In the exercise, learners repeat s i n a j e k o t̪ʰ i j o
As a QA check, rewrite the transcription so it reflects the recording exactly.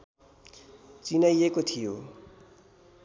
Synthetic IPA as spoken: t͡s i n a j e k o t̪ʰ i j o